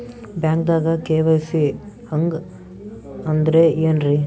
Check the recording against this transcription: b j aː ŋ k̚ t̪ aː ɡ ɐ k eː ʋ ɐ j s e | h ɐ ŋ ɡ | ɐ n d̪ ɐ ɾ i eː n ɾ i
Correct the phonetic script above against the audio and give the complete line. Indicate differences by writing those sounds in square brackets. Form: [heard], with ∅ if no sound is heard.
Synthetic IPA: b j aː ŋ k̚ [d̪] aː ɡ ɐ k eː ʋ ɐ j s [i] | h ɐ ŋ ɡ | ɐ n d̪ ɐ ɾ [e] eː n ɾ i